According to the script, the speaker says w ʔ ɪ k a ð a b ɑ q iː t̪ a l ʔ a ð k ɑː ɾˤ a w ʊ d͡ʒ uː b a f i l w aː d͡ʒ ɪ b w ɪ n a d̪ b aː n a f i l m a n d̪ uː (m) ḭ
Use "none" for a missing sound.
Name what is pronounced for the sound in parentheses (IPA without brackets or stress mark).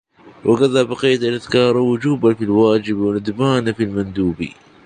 b